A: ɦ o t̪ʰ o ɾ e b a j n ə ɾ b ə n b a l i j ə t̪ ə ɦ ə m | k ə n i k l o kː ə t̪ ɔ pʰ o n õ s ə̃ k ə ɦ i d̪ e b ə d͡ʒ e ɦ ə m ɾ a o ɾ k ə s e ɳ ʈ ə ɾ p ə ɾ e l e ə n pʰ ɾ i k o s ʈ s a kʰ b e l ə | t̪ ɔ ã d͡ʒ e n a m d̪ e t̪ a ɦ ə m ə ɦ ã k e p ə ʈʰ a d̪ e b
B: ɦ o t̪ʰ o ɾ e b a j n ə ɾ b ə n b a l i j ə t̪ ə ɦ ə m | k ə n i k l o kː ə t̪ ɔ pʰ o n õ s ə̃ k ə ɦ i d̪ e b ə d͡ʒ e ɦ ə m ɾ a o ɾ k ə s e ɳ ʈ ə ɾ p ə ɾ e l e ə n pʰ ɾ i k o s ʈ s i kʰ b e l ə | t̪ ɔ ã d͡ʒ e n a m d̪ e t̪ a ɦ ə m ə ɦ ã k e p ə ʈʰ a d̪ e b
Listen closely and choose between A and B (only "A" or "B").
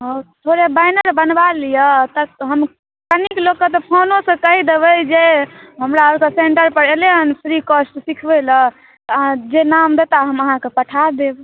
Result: B